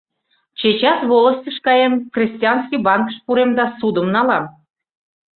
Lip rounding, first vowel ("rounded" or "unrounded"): unrounded